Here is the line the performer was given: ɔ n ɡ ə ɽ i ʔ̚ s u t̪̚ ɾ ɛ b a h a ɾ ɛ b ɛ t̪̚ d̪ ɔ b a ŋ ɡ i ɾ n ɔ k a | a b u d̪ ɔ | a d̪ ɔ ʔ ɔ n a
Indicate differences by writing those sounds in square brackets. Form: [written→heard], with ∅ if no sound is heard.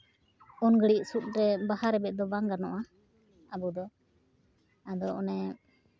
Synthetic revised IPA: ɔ n ɡ ə ɽ i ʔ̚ s u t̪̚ ɾ ɛ b a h a ɾ ɛ b ɛ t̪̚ d̪ ɔ b a ŋ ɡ [i→a] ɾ n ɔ [k→ʔ] a | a b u d̪ ɔ | a d̪ ɔ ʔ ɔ n [a→ɛ]